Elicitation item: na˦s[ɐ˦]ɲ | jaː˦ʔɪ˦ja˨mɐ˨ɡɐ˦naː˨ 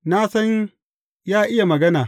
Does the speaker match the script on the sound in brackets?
yes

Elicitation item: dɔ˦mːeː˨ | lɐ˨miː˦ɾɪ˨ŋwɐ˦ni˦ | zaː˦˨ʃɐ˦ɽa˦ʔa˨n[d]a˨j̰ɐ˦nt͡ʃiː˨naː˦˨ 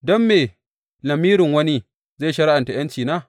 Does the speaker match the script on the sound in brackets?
no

